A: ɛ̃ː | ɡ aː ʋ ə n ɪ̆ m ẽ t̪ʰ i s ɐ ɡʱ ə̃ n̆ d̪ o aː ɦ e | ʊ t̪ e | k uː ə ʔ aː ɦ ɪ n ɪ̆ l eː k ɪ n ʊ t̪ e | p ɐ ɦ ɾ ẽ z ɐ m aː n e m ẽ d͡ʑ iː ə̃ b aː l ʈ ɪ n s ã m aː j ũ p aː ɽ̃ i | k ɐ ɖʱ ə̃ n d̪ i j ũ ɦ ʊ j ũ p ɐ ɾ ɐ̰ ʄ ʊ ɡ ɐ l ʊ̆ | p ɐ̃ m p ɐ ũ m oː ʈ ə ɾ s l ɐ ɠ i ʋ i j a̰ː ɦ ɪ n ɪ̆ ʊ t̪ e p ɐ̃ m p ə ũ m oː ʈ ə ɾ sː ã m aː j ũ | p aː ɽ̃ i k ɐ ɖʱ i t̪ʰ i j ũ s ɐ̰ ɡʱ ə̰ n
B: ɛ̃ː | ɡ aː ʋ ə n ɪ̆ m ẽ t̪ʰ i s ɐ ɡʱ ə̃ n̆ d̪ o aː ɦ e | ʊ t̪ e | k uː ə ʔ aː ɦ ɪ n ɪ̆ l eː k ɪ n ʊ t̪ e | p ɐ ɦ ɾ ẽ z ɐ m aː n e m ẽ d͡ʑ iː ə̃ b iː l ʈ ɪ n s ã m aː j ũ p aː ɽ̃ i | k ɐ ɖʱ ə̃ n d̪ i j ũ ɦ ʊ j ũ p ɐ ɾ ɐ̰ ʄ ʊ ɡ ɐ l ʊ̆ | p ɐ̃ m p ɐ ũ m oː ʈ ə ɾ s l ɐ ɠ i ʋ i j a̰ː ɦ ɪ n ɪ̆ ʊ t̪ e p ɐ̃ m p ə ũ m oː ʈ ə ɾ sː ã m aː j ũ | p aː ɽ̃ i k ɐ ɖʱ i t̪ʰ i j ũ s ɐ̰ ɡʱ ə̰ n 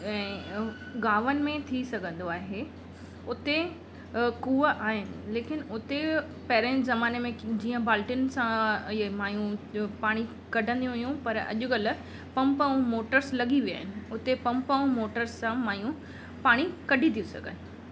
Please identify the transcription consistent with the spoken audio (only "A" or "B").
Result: A